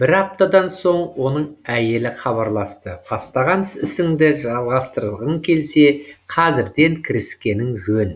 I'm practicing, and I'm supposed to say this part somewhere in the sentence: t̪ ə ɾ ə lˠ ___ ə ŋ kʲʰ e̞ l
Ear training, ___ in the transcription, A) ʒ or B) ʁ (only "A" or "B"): B